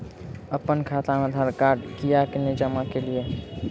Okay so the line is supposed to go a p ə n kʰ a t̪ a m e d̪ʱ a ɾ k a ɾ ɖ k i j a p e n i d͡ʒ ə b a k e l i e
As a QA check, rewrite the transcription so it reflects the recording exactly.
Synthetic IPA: ə p ə n kʰ a t̪ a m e d̪ʱ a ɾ k a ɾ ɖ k i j a k e n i d͡ʒ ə m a k e l i e